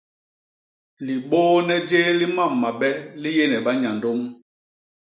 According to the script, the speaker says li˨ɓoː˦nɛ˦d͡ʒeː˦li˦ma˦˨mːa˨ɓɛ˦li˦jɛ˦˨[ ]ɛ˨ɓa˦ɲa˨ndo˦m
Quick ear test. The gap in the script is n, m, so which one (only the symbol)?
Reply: n